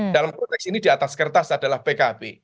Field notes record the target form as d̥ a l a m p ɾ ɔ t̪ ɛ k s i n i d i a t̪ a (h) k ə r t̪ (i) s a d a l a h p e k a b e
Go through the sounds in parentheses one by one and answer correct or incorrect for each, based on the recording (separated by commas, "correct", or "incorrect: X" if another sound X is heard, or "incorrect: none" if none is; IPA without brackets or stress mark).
incorrect: s, incorrect: a